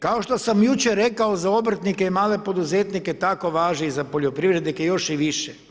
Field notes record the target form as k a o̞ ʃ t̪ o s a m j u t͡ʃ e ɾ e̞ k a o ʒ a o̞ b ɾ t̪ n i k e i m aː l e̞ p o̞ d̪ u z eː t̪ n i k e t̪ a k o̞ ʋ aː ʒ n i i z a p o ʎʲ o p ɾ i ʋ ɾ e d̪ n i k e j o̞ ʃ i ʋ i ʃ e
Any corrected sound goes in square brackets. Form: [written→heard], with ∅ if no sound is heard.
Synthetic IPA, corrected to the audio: k a o̞ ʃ t̪ o s a m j u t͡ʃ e ɾ e̞ k a o [ʒ→z] a o̞ b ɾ t̪ n i k e i m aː l e̞ p o̞ d̪ u z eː t̪ n i k e t̪ a k o̞ ʋ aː ʒ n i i z a p o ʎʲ o p ɾ i ʋ ɾ e d̪ n i k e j o̞ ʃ i ʋ i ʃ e